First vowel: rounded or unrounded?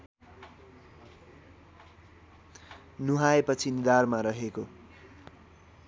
rounded